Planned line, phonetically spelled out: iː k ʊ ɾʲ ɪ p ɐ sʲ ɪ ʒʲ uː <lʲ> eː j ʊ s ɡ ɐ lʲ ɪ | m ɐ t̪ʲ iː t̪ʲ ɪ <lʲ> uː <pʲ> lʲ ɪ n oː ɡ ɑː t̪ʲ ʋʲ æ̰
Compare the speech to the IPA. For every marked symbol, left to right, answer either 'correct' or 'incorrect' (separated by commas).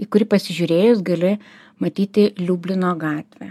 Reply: incorrect, correct, incorrect